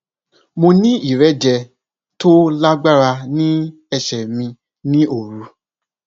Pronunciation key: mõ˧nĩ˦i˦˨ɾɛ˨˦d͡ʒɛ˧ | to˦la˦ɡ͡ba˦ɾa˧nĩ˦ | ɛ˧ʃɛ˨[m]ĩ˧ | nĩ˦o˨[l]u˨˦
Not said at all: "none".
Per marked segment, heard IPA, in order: m, ɾ

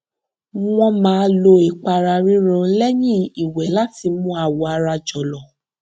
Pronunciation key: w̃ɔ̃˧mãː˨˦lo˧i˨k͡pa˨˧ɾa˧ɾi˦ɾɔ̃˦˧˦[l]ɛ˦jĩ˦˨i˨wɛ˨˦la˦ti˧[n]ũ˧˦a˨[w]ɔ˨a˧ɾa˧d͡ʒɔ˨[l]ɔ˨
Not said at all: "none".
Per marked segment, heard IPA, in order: l, m, w, l

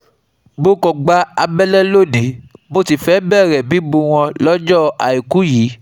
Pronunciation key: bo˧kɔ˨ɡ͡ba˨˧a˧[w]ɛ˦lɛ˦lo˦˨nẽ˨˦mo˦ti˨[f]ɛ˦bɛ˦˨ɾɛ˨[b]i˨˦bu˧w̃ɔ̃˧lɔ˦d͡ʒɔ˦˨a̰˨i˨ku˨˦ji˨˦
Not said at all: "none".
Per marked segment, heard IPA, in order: b, f, b

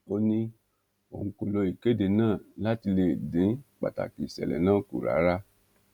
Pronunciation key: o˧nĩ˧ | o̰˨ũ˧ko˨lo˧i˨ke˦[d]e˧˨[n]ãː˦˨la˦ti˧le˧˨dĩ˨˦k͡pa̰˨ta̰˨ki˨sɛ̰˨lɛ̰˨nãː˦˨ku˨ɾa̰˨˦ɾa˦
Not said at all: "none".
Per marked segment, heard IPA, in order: d, n

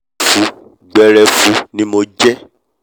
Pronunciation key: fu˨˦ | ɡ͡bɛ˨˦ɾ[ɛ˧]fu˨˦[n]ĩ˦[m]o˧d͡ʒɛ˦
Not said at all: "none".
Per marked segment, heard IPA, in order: ɛ˧, n, m

